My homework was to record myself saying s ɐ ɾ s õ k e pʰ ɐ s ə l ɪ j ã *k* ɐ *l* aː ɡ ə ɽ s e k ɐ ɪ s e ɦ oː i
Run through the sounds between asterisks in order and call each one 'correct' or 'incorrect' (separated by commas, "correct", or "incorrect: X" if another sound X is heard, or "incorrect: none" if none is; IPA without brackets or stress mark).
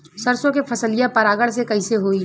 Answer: incorrect: p, incorrect: ɾ